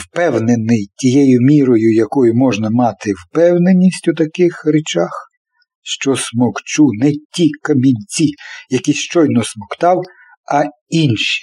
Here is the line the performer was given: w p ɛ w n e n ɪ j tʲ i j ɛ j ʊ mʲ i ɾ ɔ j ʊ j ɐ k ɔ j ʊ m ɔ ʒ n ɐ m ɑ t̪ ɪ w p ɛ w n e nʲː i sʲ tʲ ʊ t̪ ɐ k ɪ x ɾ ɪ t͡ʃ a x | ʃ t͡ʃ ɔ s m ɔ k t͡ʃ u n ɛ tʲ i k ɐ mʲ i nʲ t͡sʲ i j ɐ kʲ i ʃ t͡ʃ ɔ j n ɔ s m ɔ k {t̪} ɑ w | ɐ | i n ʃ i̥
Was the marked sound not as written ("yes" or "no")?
no